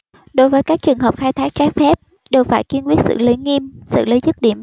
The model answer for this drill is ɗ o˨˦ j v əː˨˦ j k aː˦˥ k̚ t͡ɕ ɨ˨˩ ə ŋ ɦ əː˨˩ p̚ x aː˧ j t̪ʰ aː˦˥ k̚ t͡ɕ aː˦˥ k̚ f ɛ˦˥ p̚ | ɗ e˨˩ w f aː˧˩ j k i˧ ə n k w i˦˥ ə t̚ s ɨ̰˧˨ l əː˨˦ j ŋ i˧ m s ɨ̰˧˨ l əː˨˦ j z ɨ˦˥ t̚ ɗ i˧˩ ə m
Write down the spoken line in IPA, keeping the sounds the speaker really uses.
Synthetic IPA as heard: ɗ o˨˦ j v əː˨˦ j k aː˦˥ k̚ t͡ɕ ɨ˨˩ ə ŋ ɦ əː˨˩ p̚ x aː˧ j t̪ʰ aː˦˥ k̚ t͡ɕ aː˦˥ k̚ f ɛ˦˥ p̚ | ɗ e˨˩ w f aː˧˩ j k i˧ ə n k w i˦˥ ə t̚ s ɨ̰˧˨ l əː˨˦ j ŋ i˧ m s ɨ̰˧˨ l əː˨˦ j z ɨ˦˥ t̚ ɗ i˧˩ ə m